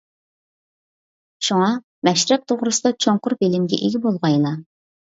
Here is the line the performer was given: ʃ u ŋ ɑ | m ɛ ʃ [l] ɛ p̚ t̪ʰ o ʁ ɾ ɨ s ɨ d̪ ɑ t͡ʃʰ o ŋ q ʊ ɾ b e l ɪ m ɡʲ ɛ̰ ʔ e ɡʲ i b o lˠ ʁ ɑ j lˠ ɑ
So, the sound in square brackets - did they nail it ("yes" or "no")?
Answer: no